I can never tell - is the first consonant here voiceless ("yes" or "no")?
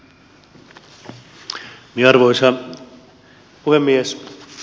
no